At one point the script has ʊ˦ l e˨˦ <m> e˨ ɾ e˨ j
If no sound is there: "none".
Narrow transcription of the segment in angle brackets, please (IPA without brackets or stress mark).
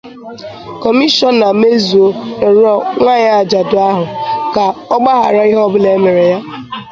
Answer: m